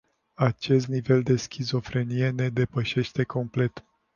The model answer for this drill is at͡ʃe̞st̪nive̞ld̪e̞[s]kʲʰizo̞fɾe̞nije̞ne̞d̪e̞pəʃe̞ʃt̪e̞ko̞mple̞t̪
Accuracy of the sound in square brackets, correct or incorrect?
correct